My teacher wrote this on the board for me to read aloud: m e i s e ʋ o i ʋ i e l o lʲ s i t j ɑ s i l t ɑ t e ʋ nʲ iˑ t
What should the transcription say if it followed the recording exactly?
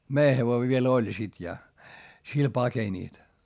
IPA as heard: m e i h e ʋ o i ʋ i e l o lʲ s i t j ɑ s i l p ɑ k e nʲ iˑ t